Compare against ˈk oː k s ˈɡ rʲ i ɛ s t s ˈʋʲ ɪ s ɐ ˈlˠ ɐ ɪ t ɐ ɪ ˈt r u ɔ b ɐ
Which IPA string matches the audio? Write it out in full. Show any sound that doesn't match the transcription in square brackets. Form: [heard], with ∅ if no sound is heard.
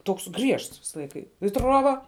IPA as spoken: [ˈt] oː k s ˈɡ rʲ i ɛ [ʃ] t s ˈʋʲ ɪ s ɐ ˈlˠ ɐ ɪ [k] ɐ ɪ ˈt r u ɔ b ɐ

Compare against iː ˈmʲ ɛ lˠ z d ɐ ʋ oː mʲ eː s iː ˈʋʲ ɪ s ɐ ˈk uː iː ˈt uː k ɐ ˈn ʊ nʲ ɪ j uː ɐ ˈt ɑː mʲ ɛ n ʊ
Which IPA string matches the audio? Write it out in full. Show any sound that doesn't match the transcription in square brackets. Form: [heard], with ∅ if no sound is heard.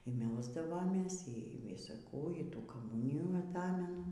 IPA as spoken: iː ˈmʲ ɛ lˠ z d ɐ ʋ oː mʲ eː s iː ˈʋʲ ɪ s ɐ ˈk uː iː ˈt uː k ɐ [ˈm] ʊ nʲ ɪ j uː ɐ ˈt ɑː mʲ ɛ n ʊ

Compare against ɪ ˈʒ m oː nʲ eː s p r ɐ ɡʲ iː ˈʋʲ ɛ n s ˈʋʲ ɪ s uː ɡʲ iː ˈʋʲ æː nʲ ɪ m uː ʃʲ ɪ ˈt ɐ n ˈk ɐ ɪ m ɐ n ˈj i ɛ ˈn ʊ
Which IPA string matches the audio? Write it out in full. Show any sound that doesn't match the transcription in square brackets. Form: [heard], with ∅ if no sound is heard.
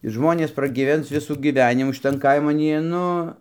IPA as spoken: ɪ ˈʒ m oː nʲ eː s p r ɐ ɡʲ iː ˈʋʲ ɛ n s ˈʋʲ ɪ s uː ɡʲ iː ˈʋʲ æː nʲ ɪ m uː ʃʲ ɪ ˈt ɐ n ˈk ɐ ɪ m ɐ n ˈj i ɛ ˈn ʊ

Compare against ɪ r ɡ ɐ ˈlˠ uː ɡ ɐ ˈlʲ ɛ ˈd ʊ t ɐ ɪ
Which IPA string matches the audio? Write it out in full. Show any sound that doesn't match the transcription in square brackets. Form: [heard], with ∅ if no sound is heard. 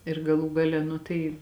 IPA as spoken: ɪ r ɡ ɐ ˈlˠ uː ɡ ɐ ˈlʲ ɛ [ˈn] ʊ t ɐ ɪ

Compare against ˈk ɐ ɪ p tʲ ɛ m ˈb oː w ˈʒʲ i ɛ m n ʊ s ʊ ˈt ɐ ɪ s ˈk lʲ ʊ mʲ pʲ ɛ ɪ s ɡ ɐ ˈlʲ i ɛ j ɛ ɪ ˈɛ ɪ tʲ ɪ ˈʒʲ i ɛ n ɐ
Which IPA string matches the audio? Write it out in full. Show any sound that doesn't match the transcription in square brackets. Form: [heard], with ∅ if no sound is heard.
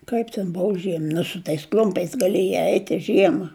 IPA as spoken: ˈk ɐ ɪ p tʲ ɛ [n] ˈb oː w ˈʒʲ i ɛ m n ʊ s ʊ ˈt ɐ ɪ s ˈk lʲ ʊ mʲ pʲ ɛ ɪ s ɡ ɐ ˈlʲ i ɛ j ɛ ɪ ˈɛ ɪ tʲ ɪ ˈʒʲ i ɛ [m] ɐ

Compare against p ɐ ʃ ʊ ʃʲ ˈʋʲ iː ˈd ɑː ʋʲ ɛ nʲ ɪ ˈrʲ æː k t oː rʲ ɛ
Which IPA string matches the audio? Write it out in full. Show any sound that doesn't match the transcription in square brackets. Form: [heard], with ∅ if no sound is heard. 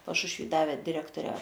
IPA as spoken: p ɐ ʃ ʊ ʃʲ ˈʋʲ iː ˈd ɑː ʋʲ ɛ [dʲ] ɪ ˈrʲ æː k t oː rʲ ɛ

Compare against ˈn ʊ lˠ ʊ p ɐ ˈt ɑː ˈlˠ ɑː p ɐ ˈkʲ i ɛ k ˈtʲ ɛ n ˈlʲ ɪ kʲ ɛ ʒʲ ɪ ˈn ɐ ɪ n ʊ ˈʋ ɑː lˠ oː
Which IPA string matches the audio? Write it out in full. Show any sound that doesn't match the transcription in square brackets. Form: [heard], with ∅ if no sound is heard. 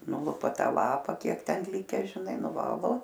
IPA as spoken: ˈn ʊ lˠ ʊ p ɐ ˈt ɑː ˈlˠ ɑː p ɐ ˈkʲ i ɛ k ˈtʲ ɛ n ˈlʲ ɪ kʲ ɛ ʒʲ ɪ ˈn ɐ ɪ n ʊ ˈʋ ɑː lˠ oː

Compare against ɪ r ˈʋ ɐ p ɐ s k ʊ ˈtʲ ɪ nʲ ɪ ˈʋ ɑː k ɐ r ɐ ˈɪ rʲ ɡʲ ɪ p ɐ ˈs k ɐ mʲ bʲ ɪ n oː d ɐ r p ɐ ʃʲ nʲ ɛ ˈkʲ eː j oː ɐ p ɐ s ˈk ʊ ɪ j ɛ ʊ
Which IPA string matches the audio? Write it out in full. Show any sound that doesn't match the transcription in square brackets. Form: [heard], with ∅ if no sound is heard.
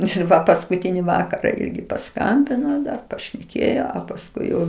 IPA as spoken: ɪ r ˈʋ ɐ p ɐ s k ʊ ˈtʲ ɪ nʲ ɪ ˈʋ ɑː k ɐ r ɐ ˈɪ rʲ ɡʲ ɪ p ɐ ˈs k ɐ mʲ bʲ ɪ n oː d ɐ r p ɐ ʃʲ nʲ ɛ ˈkʲ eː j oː ɐ p ɐ s ˈk ʊ ɪ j ɛ ʊ

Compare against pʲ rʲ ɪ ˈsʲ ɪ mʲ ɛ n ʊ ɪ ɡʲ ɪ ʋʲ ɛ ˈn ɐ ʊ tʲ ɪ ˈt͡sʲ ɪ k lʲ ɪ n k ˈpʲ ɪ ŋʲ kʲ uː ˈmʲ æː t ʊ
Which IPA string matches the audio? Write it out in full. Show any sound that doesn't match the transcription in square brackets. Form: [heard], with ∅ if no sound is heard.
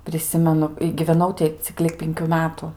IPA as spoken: pʲ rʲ ɪ ˈsʲ ɪ mʲ ɛ n ʊ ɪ ɡʲ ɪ ʋʲ ɛ ˈn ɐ ʊ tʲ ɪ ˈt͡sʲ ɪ k lʲ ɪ [∅] k ˈpʲ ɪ ŋʲ kʲ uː ˈmʲ æː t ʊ

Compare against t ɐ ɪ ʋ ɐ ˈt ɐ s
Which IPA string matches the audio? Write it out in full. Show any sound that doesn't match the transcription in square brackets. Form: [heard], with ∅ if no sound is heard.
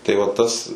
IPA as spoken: t ɐ ɪ ʋ ɐ ˈt ɐ s

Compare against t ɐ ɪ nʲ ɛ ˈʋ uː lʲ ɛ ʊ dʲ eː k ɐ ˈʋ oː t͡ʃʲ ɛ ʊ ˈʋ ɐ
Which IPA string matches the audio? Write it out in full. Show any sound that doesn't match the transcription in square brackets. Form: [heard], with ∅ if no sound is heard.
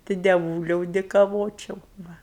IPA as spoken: t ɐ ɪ [dʲ] ɛ ˈʋ uː lʲ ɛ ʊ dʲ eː k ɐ ˈʋ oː t͡ʃʲ ɛ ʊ ˈʋ ɐ

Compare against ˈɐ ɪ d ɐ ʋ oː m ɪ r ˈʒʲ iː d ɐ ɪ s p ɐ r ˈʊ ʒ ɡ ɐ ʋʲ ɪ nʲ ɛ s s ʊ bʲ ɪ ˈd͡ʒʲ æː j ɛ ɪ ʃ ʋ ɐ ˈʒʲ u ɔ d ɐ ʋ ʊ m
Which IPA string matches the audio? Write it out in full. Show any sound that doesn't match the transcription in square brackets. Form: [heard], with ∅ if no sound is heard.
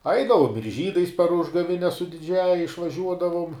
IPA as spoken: ˈɐ ɪ d ɐ ʋ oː m ɪ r ˈʒʲ iː d ɐ ɪ s p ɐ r ˈʊ ʒ ɡ ɐ ʋʲ ɪ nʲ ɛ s s ʊ [dʲ] ɪ ˈd͡ʒʲ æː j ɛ ɪ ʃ ʋ ɐ ˈʒʲ u ɔ d ɐ ʋ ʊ m

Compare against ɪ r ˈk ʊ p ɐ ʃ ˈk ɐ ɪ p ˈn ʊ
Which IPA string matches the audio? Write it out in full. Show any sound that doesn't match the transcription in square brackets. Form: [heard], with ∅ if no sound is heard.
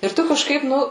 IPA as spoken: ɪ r [ˈt] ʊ [k] ɐ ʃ ˈk ɐ ɪ p ˈn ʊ

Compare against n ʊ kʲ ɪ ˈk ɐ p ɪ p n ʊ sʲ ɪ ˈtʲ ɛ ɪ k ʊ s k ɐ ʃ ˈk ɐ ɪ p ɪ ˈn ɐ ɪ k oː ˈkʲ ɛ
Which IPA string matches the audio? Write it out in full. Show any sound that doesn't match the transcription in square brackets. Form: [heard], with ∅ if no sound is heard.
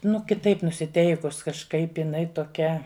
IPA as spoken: n ʊ kʲ ɪ [ˈt] ɐ [∅] ɪ p n ʊ sʲ ɪ ˈtʲ ɛ ɪ k ʊ s k ɐ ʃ ˈk ɐ ɪ p ɪ ˈn ɐ ɪ [t] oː ˈkʲ ɛ

